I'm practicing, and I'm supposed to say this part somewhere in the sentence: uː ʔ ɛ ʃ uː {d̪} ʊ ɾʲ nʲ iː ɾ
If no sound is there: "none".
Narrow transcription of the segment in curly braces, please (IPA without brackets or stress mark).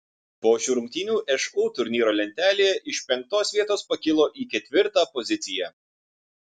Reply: t̪